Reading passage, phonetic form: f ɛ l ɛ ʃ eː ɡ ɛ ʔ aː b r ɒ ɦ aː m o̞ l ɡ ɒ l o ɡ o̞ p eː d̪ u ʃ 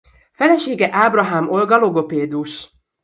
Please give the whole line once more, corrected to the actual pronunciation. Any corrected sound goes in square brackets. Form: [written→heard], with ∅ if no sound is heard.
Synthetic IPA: f ɛ l ɛ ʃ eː ɡ ɛ ʔ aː b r ɒ ɦ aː m o̞ l ɡ ɒ l o ɡ o̞ p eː d̪ u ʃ

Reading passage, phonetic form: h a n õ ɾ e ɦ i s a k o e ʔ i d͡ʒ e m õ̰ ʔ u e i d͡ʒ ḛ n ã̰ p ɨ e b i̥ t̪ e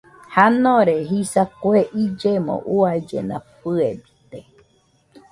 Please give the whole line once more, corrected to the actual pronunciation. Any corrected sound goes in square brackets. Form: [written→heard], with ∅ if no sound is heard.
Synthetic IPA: h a n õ ɾ e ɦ i s a k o e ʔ i d͡ʒ e m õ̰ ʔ u [e→a] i d͡ʒ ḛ n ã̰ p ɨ e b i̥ t̪ e

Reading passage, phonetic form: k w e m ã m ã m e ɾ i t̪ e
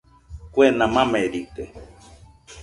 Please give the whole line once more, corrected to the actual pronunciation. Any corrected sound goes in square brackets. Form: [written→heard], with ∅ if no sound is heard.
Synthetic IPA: k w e [m→n] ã m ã m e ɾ i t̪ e

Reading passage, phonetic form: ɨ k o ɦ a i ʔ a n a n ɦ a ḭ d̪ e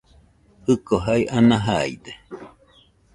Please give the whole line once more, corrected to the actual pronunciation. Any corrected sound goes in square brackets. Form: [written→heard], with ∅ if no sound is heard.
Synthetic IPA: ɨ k o ɦ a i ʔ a n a [n→∅] ɦ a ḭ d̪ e

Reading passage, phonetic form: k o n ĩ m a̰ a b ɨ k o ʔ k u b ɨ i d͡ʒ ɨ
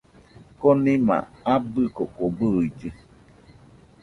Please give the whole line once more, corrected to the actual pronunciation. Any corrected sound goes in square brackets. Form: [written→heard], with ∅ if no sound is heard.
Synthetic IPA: k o n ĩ m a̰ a b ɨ k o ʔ k [u→o] b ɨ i d͡ʒ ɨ

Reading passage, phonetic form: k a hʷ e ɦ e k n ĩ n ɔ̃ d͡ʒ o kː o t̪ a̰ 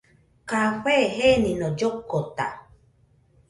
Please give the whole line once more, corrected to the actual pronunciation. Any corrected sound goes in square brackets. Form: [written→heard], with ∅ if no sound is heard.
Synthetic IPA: k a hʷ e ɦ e [k→∅] n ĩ n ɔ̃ d͡ʒ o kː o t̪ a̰

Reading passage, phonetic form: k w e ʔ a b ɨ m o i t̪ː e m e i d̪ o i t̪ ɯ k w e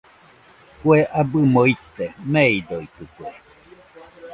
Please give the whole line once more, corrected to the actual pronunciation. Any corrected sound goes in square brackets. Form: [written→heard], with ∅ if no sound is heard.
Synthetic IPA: k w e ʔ a b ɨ m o i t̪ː e m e i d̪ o i t̪ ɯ k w e

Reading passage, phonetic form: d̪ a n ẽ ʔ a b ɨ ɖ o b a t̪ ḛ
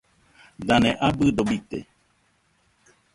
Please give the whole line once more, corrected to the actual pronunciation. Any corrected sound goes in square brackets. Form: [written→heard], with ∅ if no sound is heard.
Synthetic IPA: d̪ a n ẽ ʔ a b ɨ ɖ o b [a→i] t̪ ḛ

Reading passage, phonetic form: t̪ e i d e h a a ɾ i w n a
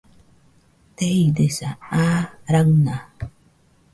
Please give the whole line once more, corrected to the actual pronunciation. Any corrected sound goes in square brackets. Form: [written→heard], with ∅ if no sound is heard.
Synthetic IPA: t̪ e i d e [h→s] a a ɾ [i→a] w n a

